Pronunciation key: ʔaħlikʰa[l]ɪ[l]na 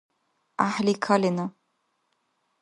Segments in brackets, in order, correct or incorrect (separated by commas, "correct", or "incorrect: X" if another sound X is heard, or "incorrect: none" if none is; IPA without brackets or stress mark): correct, incorrect: none